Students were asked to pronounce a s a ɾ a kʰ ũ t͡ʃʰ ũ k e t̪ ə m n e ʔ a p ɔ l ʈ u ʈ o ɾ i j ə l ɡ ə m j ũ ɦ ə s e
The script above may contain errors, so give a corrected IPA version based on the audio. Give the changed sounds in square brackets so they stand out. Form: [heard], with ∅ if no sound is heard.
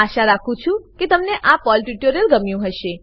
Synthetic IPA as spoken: a [ʃ] a ɾ a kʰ ũ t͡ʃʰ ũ k e t̪ ə m n e ʔ a p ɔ l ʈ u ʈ o ɾ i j ə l ɡ ə m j ũ ɦ ə [ʃ] e